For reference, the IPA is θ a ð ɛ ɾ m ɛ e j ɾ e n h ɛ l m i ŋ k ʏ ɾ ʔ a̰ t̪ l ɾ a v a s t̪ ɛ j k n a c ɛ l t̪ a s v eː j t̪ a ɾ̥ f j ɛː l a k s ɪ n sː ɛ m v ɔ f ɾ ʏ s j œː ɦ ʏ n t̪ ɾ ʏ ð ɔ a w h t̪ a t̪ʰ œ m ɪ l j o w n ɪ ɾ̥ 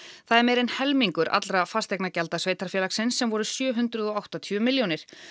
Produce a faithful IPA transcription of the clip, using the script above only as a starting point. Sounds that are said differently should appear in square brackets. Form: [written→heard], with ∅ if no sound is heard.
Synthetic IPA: θ a ð ɛ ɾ m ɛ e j ɾ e n h ɛ l m i ŋ k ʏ ɾ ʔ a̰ t̪ l ɾ a [v→f] a s t̪ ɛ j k n a c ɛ l t̪ a s v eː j t̪ a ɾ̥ f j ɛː l a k s ɪ n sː ɛ m v ɔ [f→∅] ɾ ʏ s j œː ɦ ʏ n t̪ ɾ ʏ ð ɔ a w h t̪ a t̪ʰ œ m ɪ l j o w n ɪ ɾ̥